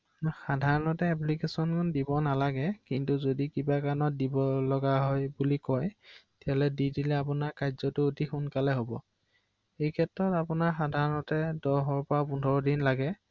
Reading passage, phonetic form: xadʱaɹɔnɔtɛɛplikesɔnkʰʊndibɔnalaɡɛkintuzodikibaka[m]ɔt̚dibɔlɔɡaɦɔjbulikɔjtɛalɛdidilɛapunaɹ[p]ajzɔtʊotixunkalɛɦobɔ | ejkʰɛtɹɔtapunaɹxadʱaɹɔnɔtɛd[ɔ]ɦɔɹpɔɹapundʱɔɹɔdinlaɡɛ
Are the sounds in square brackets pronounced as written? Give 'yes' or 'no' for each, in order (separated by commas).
no, no, yes